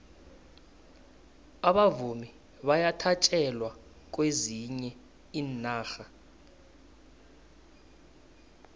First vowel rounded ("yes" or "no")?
no